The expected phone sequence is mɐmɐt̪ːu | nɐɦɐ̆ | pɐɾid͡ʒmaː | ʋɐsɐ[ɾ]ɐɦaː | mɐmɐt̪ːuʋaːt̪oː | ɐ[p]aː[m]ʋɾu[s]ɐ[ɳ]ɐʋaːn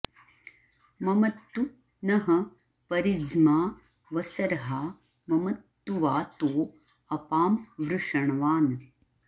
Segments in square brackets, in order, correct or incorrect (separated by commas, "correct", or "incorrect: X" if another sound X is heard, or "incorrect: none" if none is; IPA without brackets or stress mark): correct, correct, correct, incorrect: ʂ, correct